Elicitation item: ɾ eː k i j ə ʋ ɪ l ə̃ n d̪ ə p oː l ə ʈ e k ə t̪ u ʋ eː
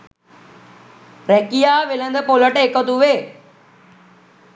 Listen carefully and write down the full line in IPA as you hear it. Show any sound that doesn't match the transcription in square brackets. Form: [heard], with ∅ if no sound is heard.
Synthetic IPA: ɾ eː k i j [a] ʋ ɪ l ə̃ n d̪ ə p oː l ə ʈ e k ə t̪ u ʋ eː